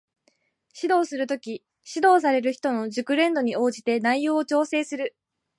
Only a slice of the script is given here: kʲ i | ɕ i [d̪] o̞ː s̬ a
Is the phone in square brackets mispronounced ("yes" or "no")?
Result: no